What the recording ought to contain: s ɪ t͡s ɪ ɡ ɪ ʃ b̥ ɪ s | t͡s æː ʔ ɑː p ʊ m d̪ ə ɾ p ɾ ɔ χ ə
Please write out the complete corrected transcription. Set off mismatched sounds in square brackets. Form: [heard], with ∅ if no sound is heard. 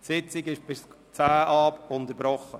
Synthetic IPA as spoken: s ɪ t͡s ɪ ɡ ɪ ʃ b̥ ɪ s | t͡s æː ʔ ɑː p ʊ [n] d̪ ə ɾ [b] ɾ ɔ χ ə